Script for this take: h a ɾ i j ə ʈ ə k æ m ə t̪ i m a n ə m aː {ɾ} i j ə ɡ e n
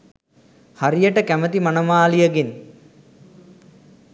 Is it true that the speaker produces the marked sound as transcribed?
no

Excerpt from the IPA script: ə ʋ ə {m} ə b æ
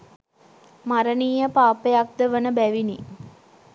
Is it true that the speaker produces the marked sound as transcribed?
no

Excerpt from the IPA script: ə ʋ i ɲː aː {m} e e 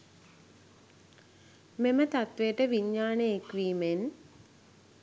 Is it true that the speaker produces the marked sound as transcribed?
no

